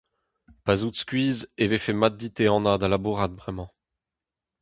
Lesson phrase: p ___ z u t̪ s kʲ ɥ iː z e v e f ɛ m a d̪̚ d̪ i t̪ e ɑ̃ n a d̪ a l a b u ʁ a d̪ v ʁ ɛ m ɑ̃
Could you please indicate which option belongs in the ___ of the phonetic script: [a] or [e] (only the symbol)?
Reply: a